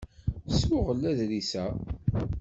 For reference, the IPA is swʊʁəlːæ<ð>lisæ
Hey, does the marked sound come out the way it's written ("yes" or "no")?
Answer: yes